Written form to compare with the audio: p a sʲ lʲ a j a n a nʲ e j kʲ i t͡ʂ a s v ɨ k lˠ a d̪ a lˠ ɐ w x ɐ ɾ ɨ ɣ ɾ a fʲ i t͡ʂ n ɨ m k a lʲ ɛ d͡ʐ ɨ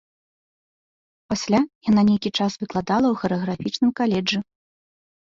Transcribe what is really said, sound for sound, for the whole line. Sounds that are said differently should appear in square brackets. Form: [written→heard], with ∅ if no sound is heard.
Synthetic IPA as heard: p a sʲ lʲ a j a n a nʲ e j kʲ i t͡ʂ a s v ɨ k lˠ a d̪ a lˠ ɐ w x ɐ ɾ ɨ ɣ ɾ a fʲ i t͡ʂ n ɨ m k a lʲ ɛ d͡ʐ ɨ